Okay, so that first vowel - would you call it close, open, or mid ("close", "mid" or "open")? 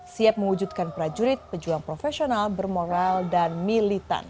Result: close